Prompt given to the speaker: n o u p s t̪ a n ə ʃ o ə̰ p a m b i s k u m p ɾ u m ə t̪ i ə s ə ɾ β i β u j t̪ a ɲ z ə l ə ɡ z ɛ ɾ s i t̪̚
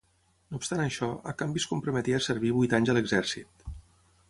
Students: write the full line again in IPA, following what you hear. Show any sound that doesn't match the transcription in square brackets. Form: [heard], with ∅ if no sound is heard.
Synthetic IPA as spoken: n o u p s t̪ a n ə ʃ [ɔ] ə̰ [k] a m b i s k u m p ɾ u m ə t̪ i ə s ə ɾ β i β u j t̪ a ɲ z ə l ə ɡ z ɛ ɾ s i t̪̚